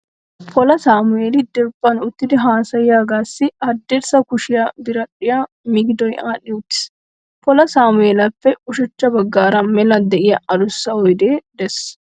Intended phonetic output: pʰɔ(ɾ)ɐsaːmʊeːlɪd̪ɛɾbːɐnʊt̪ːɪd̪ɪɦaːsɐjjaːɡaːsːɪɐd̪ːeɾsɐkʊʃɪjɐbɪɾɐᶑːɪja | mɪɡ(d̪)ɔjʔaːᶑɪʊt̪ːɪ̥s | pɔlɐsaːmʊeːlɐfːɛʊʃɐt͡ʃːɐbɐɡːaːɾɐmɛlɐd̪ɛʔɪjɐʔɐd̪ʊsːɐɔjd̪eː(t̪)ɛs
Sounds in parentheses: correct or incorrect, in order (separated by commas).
incorrect, correct, incorrect